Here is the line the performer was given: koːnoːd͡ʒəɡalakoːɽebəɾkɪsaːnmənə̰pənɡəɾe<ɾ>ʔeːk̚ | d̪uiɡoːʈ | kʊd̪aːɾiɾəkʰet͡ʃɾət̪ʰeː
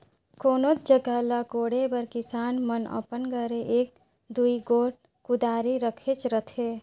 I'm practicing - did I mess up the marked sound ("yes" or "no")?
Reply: yes